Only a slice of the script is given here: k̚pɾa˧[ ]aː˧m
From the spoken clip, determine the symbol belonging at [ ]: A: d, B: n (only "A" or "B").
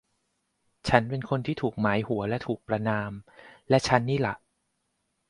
B